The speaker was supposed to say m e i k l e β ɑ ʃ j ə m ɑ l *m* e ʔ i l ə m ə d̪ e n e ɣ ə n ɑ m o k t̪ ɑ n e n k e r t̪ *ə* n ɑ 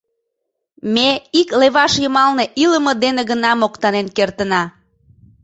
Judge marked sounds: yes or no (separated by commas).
no, yes